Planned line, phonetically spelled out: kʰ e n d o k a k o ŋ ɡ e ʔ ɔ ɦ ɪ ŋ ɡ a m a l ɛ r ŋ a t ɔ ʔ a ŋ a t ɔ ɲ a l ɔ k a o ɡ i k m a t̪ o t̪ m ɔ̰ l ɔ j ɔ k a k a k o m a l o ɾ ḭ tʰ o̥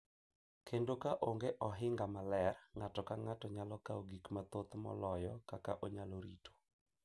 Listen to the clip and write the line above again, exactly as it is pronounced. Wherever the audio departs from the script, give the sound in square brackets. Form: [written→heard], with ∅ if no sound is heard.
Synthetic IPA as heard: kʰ e n d o k a [k→ʔ] o ŋ ɡ e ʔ ɔ ɦ ɪ ŋ ɡ a m a l ɛ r ŋ a t ɔ [ʔ→k] a ŋ a t ɔ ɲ a l ɔ k a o ɡ i k m a t̪ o t̪ m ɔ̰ l ɔ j ɔ k a k a [k→ʔ] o [m→ɲ] a l o ɾ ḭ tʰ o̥